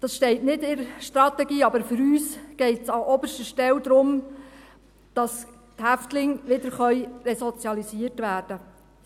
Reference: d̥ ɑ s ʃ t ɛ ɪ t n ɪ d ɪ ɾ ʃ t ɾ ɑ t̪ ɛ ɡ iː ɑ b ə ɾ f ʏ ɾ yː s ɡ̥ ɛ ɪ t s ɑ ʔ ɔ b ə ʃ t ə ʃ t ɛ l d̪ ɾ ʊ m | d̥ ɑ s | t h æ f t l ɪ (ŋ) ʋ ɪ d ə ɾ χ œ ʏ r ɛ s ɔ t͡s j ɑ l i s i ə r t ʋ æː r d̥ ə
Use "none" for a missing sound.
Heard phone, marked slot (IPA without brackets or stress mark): ŋ